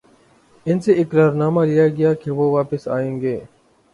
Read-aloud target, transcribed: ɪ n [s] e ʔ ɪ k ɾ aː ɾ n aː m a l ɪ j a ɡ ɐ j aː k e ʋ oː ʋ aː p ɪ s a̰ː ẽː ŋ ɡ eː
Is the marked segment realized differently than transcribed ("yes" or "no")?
no